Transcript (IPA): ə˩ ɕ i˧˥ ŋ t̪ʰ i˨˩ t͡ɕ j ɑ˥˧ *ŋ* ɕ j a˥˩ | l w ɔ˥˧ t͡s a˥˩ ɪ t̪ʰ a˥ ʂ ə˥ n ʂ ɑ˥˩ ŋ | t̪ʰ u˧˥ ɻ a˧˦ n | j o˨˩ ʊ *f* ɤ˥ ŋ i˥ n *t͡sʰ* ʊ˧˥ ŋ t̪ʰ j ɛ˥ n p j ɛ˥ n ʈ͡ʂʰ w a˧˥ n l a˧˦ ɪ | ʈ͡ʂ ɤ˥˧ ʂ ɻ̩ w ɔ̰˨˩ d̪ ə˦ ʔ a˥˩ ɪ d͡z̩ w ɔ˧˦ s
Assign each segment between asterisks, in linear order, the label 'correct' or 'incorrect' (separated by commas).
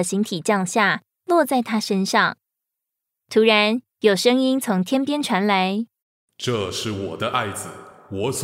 correct, incorrect, correct